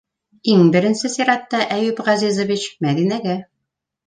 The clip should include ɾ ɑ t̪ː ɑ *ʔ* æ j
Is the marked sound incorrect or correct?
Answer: correct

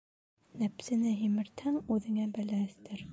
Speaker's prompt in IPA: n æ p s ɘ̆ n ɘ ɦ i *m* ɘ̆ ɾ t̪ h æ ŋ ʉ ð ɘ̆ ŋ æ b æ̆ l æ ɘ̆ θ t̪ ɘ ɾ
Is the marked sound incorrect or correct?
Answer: correct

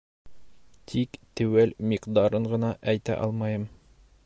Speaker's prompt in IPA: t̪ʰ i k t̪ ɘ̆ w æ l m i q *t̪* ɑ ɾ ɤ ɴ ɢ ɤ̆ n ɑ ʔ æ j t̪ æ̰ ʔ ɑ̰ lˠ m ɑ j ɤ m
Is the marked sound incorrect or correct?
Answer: incorrect: d̪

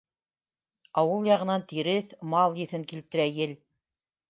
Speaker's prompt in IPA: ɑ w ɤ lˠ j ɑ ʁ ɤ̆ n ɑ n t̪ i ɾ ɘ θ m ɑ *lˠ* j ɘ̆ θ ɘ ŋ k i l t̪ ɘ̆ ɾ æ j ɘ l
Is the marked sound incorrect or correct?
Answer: correct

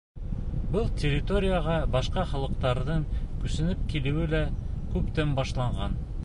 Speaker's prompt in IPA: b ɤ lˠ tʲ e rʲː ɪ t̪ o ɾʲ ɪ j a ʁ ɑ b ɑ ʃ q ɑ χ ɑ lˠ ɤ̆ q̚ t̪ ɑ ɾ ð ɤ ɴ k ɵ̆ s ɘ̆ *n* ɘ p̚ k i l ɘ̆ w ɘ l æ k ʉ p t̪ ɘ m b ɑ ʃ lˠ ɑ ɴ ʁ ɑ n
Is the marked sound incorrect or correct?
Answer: correct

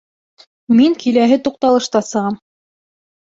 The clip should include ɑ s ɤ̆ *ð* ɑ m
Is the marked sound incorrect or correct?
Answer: incorrect: ʁ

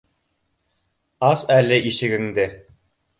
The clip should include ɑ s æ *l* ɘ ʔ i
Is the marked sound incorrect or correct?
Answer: correct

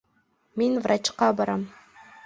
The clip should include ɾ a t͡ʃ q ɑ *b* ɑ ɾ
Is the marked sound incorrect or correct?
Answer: correct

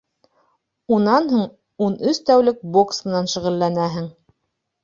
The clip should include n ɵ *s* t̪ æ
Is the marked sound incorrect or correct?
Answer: correct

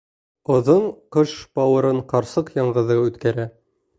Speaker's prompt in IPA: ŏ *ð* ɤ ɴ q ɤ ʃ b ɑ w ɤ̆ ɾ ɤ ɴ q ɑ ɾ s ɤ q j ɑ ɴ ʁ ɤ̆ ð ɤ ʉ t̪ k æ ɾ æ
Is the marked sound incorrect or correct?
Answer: correct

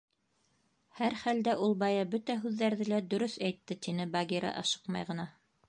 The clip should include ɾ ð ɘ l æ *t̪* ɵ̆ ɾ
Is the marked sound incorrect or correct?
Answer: incorrect: d̪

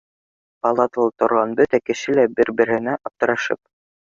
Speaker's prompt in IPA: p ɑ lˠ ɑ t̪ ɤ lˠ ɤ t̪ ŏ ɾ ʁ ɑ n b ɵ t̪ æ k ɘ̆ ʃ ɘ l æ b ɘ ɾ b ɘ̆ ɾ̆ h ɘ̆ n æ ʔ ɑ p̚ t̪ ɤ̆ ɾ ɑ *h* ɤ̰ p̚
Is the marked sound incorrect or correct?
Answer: incorrect: ʃ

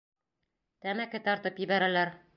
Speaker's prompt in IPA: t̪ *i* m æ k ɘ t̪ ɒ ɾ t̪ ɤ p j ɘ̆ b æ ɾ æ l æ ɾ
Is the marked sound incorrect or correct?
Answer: incorrect: æ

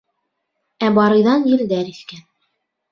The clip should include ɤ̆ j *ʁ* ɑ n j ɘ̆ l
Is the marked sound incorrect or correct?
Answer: incorrect: ð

